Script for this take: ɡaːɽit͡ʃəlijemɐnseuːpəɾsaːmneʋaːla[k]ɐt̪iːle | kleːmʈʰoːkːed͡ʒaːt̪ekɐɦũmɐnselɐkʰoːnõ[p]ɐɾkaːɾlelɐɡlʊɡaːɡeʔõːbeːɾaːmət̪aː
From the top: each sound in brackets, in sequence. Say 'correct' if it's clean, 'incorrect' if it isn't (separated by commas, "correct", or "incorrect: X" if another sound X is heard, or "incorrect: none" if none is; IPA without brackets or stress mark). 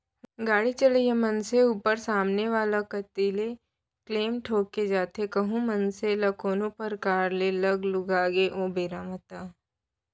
correct, correct